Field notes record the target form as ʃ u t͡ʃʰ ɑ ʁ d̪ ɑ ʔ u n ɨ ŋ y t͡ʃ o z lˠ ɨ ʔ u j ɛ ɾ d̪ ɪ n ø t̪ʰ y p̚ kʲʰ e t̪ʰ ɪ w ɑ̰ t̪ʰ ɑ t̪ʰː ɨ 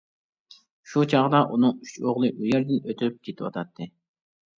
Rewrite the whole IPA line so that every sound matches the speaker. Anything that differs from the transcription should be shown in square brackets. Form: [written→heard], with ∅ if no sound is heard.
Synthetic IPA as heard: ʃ u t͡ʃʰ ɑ ʁ d̪ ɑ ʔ u n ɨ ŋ y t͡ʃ o [z→ʁ] lˠ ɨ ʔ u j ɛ ɾ d̪ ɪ n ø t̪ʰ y p̚ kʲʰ e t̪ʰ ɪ w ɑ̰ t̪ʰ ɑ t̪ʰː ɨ